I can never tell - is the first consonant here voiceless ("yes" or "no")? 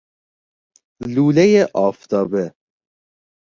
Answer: no